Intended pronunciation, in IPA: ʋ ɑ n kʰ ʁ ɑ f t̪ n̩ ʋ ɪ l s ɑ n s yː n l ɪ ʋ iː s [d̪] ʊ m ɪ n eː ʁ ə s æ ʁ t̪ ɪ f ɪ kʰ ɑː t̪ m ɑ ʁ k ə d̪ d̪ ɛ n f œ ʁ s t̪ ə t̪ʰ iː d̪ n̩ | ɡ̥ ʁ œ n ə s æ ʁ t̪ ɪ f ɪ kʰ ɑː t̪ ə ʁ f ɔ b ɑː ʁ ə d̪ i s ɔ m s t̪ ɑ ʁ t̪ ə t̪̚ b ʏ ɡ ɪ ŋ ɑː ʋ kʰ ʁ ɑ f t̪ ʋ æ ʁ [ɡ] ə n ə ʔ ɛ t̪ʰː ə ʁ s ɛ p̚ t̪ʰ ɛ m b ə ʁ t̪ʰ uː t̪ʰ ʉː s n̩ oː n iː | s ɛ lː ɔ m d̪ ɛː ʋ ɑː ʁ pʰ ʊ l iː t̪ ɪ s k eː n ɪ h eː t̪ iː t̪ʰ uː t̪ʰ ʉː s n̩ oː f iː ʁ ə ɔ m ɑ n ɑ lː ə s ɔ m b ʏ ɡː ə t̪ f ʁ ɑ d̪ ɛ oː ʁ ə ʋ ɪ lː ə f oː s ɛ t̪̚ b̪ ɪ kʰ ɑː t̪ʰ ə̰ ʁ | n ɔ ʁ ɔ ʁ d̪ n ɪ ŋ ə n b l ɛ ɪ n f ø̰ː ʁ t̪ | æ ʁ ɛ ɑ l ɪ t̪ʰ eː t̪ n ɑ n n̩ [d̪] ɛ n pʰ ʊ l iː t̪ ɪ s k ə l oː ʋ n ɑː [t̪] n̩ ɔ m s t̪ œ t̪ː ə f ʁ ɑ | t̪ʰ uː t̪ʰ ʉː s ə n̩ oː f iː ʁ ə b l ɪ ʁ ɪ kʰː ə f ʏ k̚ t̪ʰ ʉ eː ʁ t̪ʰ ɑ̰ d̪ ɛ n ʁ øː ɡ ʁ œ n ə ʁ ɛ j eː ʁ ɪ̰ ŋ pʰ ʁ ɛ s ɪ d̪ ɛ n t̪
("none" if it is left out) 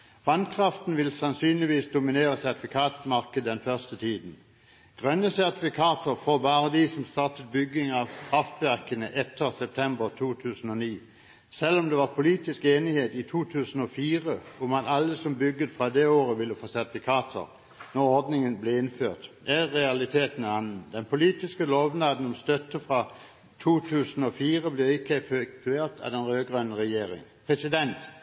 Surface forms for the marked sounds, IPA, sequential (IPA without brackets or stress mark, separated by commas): d̪, k, d̪, d̪